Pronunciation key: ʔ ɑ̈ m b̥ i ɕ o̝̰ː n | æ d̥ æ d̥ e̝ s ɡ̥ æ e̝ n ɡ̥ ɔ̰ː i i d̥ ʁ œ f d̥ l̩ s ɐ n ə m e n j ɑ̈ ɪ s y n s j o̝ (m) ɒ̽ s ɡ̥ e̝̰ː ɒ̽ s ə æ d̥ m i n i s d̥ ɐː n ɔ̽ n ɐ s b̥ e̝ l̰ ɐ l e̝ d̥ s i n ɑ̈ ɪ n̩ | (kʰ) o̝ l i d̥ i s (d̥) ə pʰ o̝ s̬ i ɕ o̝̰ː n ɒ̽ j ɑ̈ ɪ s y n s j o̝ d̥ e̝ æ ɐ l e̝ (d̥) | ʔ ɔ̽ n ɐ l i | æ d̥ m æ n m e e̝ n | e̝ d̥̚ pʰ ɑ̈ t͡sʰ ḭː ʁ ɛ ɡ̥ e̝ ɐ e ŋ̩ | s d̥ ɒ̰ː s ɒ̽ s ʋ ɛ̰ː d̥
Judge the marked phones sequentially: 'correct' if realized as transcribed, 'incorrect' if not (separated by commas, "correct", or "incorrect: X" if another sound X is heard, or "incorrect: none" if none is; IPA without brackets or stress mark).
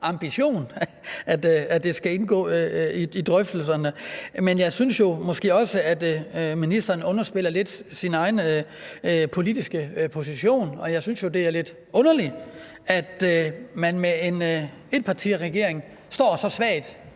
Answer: correct, incorrect: pʰ, incorrect: ɡ̥, correct